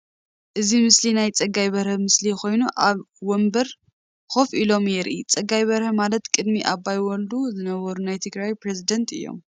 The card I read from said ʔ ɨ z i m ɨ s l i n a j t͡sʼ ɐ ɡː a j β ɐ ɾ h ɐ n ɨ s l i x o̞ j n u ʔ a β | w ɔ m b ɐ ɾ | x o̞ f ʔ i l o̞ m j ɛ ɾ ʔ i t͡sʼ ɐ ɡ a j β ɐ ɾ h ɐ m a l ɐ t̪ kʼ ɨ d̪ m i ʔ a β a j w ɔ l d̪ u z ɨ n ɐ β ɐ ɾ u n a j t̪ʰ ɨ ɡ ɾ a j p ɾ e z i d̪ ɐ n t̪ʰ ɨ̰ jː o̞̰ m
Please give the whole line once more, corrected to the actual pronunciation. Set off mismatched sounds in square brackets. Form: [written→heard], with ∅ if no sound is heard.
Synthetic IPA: ʔ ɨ z i m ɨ s l i n a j t͡sʼ ɐ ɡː a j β ɐ ɾ h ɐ [n→m] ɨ s l i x o̞ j n u ʔ a β | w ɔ m b ɐ ɾ | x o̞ f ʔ i l o̞ m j ɛ ɾ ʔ i t͡sʼ ɐ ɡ a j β ɐ ɾ h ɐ m a l ɐ t̪ kʼ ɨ d̪ m i ʔ a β a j w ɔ l d̪ u z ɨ n ɐ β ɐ ɾ u n a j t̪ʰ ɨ ɡ ɾ a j p ɾ e z i d̪ ɐ n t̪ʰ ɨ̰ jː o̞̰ m

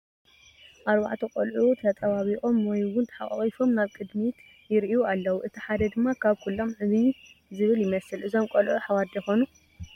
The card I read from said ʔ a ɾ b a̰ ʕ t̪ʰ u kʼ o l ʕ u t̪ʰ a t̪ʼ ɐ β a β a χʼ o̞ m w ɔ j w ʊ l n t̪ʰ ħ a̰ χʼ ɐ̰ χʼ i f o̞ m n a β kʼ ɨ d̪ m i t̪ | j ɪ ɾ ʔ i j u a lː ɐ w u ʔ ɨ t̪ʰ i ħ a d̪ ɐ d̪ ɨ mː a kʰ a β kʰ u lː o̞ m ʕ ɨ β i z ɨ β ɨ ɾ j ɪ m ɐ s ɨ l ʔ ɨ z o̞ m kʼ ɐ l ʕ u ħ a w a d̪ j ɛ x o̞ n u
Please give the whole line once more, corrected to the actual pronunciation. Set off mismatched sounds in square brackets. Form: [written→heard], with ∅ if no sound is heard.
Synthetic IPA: ʔ a ɾ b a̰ ʕ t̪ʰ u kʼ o l ʕ u t̪ʰ [a→ɐ] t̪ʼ ɐ β a β [a→i] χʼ o̞ m w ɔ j w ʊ [l→∅] n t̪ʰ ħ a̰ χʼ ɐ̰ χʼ i f o̞ m n a β kʼ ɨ d̪ m i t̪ | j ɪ ɾ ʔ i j u a lː ɐ w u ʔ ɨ t̪ʰ i ħ a d̪ ɐ d̪ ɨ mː a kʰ a β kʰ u lː o̞ m ʕ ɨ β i z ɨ β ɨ [ɾ→l] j ɪ m ɐ s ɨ l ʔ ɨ z o̞ m kʼ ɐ l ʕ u ħ a w a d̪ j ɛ x o̞ n u

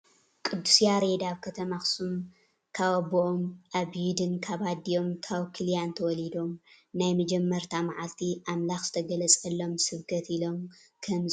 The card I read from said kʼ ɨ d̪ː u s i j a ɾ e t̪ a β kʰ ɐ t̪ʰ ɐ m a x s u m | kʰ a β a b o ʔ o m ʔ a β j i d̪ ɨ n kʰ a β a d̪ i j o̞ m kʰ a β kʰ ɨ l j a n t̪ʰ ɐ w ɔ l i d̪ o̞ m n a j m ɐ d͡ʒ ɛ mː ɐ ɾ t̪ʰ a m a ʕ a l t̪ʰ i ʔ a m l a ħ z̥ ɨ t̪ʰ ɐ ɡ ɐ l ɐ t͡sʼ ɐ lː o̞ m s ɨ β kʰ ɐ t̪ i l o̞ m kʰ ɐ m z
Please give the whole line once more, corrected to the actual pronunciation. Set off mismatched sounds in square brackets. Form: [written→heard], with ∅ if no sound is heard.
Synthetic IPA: kʼ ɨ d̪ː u s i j a ɾ e [t̪→d̪] a β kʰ ɐ t̪ʰ ɐ m a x s u m | kʰ a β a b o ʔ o m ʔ a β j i d̪ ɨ n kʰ a β a d̪ i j o̞ m kʰ a β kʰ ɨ l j a n t̪ʰ ɐ w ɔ l i d̪ o̞ m n a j m ɐ d͡ʒ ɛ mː ɐ ɾ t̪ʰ a m a ʕ a l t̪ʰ i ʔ a m l a [ħ→x] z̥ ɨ t̪ʰ ɐ ɡ ɐ l ɐ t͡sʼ ɐ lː o̞ m s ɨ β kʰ ɐ t̪ i l o̞ m kʰ ɐ m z

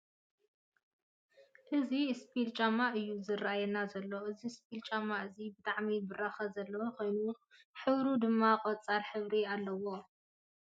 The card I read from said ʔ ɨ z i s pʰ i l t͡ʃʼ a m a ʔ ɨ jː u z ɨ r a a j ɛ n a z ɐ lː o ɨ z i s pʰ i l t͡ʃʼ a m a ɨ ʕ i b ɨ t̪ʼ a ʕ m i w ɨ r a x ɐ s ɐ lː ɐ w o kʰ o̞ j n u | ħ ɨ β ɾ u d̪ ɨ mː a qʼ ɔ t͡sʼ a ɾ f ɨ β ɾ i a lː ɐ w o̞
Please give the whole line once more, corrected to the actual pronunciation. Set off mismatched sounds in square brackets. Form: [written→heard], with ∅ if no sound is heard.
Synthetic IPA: ʔ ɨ z i s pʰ i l t͡ʃʼ a m a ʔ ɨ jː u z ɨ r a a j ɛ n a z ɐ lː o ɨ z i s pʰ i l t͡ʃʼ a m a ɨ [ʕ→z] i b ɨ t̪ʼ a ʕ m i [w→b] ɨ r a x ɐ [s→z] ɐ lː ɐ w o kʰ o̞ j n u | ħ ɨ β ɾ u d̪ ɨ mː a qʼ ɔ t͡sʼ a ɾ [f→ħ] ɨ β ɾ i a lː ɐ w o̞

